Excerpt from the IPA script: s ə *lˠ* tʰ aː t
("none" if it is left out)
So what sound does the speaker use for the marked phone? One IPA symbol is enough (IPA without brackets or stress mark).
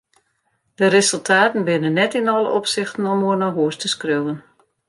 lˠ